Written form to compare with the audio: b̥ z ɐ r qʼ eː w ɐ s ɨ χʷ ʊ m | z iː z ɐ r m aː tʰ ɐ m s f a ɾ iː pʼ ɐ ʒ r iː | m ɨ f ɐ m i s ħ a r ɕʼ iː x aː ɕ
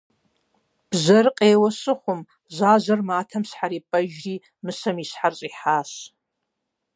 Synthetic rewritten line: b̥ z ɐ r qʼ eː w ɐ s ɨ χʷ ʊ m | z aː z ɐ r m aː tʰ ɐ m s ħ a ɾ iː pʼ ɐ ʒ r iː | m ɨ s ɐ m i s ħ a r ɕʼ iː ħ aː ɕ